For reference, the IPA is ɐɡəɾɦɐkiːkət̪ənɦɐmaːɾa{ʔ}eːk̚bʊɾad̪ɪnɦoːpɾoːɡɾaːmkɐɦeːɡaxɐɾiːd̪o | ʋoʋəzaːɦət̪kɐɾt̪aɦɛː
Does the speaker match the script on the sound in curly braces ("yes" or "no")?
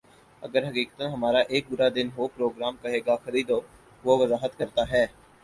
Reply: yes